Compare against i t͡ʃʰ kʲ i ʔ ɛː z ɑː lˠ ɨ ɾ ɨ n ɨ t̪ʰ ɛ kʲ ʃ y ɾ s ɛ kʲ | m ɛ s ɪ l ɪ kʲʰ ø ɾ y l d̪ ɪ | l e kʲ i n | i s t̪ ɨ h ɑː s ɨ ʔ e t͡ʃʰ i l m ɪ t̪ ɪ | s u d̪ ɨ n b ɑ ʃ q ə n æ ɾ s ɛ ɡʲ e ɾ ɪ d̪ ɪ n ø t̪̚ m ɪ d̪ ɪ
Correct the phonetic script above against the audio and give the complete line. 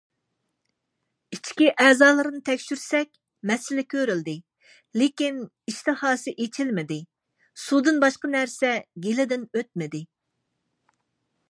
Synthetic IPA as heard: i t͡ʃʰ kʲ i ʔ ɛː z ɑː lˠ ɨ ɾ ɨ n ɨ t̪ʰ ɛ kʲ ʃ y ɾ s ɛ kʲ | m ɛ s ɪ l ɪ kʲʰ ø ɾ y l d̪ ɪ | l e kʲ i n | i ʃ t̪ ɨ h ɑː s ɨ ʔ e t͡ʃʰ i l m ɪ d̪ ɪ | s u d̪ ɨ n b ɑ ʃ q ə n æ ɾ s ɛ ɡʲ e l ɪ d̪ ɪ n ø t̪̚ m ɪ d̪ ɪ